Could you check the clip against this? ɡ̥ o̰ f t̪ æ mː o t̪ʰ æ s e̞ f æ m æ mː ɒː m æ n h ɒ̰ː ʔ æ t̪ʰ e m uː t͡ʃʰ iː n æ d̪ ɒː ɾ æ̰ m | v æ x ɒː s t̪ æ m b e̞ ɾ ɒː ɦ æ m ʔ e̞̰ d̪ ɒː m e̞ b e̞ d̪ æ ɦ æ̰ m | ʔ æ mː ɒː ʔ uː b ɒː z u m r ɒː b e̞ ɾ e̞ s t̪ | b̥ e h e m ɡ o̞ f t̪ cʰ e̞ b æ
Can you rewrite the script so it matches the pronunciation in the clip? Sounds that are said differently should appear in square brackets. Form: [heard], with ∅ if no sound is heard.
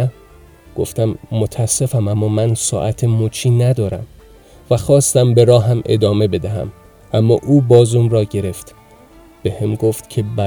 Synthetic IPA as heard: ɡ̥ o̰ f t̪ æ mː o t̪ʰ æ s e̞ f æ m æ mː ɒː m æ n [s] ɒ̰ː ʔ æ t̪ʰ e m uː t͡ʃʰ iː n æ d̪ ɒː ɾ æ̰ m | v æ x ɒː s t̪ æ m b e̞ ɾ ɒː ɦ æ m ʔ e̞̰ d̪ ɒː m e̞ b e̞ d̪ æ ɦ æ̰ m | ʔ æ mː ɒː ʔ uː b ɒː z u m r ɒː [ɟ] e̞ ɾ e̞ [f] t̪ | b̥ e h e m ɡ o̞ f t̪ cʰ e̞ b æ